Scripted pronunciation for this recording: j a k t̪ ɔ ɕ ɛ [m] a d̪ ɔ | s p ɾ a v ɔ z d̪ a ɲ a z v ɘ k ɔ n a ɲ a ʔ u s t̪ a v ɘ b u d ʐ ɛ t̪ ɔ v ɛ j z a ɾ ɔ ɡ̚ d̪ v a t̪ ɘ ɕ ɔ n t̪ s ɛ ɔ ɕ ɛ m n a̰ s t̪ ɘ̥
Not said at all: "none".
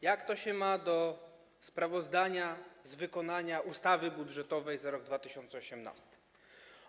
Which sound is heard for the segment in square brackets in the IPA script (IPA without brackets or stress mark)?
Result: m